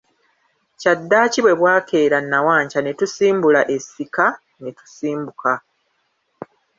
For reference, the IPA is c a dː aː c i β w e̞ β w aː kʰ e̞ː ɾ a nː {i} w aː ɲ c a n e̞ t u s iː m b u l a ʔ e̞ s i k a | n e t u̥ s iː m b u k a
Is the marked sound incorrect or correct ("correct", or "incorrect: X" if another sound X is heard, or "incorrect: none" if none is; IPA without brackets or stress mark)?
incorrect: a